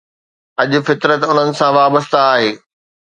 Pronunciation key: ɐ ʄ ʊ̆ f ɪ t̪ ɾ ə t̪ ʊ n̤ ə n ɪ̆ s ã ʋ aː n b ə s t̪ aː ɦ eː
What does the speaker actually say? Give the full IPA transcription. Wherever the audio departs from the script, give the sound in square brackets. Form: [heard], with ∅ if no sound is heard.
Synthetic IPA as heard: ɐ ʄ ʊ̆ f ɪ t̪ ɾ ə t̪ ʊ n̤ ə n ɪ̆ s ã ʋ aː [∅] b ə s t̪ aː ɦ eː